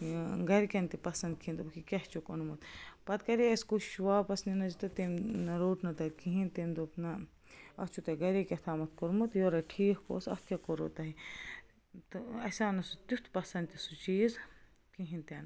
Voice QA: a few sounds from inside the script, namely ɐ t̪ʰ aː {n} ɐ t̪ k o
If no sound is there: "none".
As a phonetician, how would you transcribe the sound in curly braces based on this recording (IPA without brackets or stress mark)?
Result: m